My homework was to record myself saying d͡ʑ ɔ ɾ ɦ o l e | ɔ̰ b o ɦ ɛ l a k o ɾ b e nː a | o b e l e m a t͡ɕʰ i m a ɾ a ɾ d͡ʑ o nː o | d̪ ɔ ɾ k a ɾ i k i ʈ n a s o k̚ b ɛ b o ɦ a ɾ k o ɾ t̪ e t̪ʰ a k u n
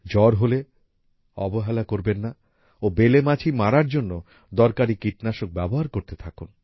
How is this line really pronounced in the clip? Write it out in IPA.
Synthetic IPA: d͡ʑ ɔ ɾ ɦ o l e | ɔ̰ b o ɦ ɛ l a k o ɾ b e nː a | o b e l e m a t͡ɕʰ i m a ɾ a ɾ d͡ʑ o nː o | d̪ ɔ ɾ k a ɾ i k i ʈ n a ʃ o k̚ b ɛ b o ɦ a ɾ k o ɾ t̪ e t̪ʰ a k u n

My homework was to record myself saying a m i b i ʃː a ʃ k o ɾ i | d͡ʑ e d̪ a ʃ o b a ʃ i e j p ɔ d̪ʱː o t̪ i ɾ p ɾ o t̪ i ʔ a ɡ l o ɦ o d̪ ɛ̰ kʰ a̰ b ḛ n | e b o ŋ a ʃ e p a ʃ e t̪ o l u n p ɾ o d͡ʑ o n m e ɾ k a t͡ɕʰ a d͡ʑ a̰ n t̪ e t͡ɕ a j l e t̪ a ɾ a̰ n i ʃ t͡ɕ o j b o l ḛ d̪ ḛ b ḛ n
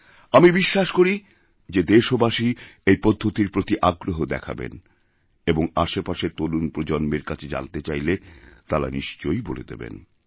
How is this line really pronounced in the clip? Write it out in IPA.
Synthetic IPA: a m i b i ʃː a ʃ k o ɾ i | d͡ʑ e d̪ e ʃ o b a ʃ i e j p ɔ d̪ʱː o t̪ i ɾ p ɾ o t̪ i ʔ a ɡ ɾ o ɦ o d̪ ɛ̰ kʰ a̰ b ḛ n | e b o ŋ a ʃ e p a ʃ e t̪ o l u n p ɾ o d͡ʑ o n m e ɾ k a t͡ɕʰ e d͡ʑ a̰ n t̪ e t͡ɕ a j l e t̪ a ɾ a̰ n i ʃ t͡ɕ o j b o l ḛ d̪ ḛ b ḛ n

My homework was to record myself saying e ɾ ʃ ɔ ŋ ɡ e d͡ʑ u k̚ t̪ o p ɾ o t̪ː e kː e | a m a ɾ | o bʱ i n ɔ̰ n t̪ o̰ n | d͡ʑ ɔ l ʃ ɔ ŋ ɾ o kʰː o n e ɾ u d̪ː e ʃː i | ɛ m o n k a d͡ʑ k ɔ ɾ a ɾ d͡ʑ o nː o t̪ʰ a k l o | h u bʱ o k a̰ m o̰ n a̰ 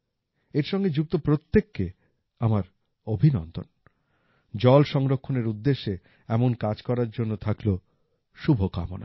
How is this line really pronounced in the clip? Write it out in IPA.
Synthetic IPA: e ɾ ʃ ɔ ŋ ɡ e d͡ʑ u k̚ t̪ o p ɾ o t̪ː e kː e | a m a ɾ | o bʱ i n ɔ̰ n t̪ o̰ n | d͡ʑ ɔ l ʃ ɔ ŋ ɾ o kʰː o n e ɾ u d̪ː e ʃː e | ɛ m o n k a d͡ʑ k ɔ ɾ a ɾ d͡ʑ o nː o t̪ʰ a k l o | ʃ u bʱ o k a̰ m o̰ n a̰

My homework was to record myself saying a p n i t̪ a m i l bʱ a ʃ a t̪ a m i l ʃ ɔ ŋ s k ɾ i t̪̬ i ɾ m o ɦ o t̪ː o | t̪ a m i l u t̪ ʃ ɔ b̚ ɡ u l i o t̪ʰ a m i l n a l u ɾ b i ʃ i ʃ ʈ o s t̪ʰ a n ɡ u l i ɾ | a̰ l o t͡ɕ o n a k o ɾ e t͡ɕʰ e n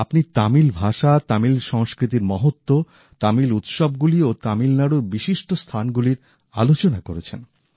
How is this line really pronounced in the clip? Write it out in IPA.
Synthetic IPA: a p n i t̪ a m i l bʱ a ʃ a t̪ a m i l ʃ ɔ ŋ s k ɾ i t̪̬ i ɾ m ɔ ɦ o t̪ː o | t̪ a m i l u t̪ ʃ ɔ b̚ ɡ u l i o t̪ a m i l n a ɽ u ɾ b i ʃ i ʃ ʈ o s t̪ʰ a n ɡ u l i ɾ | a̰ l o t͡ɕ o n a k o ɾ e t͡ɕʰ e n

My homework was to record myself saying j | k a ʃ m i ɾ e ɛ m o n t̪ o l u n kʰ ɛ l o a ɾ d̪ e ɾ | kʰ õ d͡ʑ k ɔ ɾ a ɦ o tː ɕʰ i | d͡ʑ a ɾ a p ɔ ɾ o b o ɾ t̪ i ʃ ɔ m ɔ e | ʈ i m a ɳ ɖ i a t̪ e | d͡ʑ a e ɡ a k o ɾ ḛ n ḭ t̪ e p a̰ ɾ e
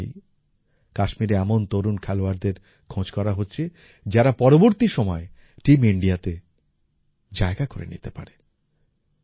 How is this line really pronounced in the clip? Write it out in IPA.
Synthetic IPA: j | k a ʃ m i ɾ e ɛ m o n t̪ o ɾ u n kʰ ɛ l o a ɾ d̪ e ɾ | kʰ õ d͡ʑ k ɔ ɾ a ɦ o tː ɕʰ e | d͡ʑ a ɾ a p ɔ ɾ o b o ɾ t̪ i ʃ ɔ m ɔ e | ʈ i m i ɳ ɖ i a t̪ e | d͡ʑ a e ɡ a k o ɾ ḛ n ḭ t̪ e p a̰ ɾ e

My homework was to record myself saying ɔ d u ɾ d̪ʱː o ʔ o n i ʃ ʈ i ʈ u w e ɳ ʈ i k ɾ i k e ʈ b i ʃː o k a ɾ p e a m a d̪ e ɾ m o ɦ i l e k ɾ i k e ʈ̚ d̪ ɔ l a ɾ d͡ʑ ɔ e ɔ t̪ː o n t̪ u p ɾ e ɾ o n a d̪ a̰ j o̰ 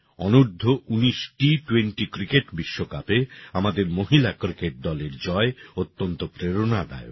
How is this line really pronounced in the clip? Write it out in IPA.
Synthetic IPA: ɔ n u ɾ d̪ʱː o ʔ u n i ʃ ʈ i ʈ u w e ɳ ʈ i k ɾ i k e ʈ b i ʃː o k a p e a m a d̪ e ɾ m o ɦ i l a k ɾ i k e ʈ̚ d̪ ɔ l e ɾ d͡ʑ ɔ e o t̪ː o n t̪ o p ɾ e ɾ o n a d̪ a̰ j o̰

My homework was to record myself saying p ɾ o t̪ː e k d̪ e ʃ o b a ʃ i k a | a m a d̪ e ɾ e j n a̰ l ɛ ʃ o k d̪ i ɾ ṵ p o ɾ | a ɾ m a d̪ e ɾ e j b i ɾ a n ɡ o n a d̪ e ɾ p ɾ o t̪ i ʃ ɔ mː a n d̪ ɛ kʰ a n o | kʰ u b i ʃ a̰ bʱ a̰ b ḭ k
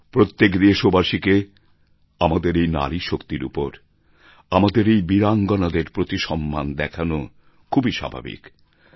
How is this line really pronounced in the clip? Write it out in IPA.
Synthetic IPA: p ɾ o t̪ː e k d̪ e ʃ o b a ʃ i k e | a m a d̪ e ɾ e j n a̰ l i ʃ o k t̪ i ɾ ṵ p o ɾ | a m a d̪ e ɾ e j b i ɾ a ŋ ɡ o n a d̪ e ɾ p ɾ o t̪ i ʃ ɔ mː a n d̪ ɛ kʰ a n o | kʰ u b i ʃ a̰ bʱ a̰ b ḭ k

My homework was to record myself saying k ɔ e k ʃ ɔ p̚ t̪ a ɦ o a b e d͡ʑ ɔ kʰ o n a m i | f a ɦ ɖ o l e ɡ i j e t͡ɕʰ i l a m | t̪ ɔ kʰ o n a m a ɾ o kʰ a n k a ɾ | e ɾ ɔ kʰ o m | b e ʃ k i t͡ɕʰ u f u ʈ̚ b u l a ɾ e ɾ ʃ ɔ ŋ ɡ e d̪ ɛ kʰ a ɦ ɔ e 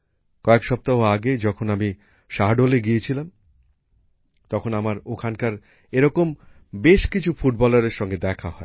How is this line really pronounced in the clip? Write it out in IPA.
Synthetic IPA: k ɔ e k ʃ ɔ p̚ t̪ a ɦ o a ɡ e d͡ʑ ɔ kʰ o n a m i | ʃ a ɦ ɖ o l e ɡ i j e t͡ɕʰ i l a m | t̪ ɔ kʰ o n a m a ɾ o kʰ a n k a ɾ | e ɾ ɔ k o m | b e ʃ k i t͡ɕʰ u f u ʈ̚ b ɔ l a ɾ e ɾ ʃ ɔ ŋ ɡ e d̪ ɛ kʰ a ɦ ɔ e

